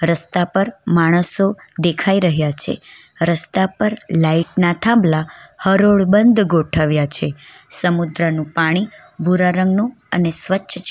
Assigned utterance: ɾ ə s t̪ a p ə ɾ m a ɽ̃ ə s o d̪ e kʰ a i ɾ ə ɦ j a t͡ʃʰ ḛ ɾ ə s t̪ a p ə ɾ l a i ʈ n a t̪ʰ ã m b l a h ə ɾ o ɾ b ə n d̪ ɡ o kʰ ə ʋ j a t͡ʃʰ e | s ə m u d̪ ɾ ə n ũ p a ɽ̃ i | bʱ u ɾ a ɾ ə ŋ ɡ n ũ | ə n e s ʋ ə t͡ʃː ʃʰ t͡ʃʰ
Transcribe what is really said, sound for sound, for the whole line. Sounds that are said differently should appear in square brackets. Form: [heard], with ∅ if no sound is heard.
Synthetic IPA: ɾ ə s t̪ a p ə ɾ m a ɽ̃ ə s o d̪ e kʰ a i ɾ ə ɦ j a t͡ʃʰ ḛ ɾ ə s t̪ a p ə ɾ l a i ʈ n a t̪ʰ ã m b l a h ə ɾ o [ɭ] b ə n d̪ ɡ o [ʈʰ] ə ʋ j a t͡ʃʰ e | s ə m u d̪ ɾ ə n ũ p a ɽ̃ i | bʱ u ɾ a ɾ ə ŋ ɡ n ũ | ə n e s ʋ ə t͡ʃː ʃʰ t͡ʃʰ